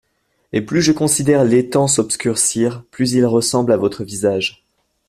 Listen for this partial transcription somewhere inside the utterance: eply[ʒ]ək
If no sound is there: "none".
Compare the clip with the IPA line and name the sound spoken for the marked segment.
ʒ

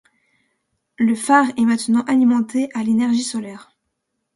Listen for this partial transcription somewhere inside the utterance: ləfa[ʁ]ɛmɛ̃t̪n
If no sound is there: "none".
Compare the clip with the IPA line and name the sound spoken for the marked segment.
ʁ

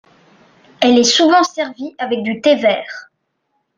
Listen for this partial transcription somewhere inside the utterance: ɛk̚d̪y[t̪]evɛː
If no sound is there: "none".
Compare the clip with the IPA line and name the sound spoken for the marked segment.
t̪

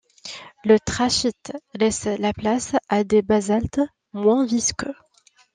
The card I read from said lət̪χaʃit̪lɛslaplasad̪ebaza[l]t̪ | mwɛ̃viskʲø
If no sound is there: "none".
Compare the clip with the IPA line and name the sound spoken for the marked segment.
l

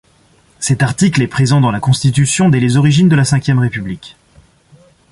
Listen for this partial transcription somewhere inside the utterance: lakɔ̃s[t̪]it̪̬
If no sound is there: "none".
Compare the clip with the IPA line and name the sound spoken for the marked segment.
t̪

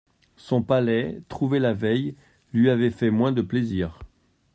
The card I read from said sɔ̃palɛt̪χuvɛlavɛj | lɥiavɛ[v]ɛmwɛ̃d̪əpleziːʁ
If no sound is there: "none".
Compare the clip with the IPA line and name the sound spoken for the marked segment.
f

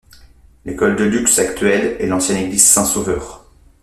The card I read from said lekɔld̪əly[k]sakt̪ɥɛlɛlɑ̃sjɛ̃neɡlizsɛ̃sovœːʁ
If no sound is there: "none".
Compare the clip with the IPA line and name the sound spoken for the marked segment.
k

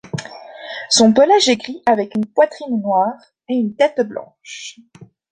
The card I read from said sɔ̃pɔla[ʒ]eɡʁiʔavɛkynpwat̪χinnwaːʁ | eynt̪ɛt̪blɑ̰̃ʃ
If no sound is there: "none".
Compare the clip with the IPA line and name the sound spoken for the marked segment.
ʒ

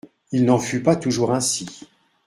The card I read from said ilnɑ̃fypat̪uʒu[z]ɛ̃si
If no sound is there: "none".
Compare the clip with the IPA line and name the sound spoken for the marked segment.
ʁ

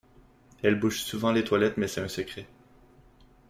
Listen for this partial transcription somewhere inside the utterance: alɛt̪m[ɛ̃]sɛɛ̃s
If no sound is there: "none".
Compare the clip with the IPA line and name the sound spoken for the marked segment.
ɛ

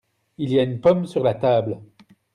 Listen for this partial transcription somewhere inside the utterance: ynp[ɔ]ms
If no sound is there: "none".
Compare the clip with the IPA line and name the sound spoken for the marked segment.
ɔ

